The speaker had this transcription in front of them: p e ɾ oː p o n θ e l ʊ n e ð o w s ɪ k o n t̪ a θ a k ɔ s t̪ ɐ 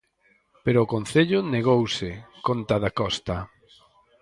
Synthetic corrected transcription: p e ɾ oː k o n θ e ʎ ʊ n e ɣ o w s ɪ k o n t̪ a ð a k ɔ s t̪ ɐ